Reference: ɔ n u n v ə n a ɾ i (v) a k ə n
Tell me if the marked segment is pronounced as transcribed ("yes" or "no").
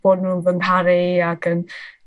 no